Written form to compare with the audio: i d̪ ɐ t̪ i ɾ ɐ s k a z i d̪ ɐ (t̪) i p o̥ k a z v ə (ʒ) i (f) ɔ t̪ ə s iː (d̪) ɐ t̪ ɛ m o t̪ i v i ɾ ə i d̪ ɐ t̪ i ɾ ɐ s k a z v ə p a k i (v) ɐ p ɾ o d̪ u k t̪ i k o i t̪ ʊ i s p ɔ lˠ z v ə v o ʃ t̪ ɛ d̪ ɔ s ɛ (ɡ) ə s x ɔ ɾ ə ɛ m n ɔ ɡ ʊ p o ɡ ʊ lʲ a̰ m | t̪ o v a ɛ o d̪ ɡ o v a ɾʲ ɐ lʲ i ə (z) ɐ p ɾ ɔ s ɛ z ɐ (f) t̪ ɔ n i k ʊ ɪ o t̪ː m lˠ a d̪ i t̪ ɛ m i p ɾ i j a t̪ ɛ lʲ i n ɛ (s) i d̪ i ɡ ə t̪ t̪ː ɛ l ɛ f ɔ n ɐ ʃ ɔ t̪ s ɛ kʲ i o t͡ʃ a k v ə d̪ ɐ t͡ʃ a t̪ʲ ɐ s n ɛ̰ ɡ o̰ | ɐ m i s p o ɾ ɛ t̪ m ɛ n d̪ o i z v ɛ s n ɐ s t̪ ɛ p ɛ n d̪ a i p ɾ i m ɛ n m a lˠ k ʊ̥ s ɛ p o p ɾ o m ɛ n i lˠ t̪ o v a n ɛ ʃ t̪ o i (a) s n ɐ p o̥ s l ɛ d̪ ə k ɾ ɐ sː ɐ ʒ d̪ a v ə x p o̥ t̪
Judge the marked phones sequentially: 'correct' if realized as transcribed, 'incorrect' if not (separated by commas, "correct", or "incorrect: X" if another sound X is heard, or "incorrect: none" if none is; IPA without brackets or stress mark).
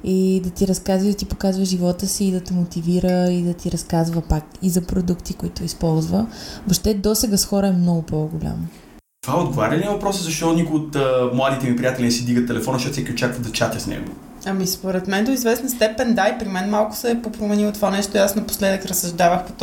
correct, correct, incorrect: v, correct, incorrect: z, correct, incorrect: v, incorrect: ʃ, correct, correct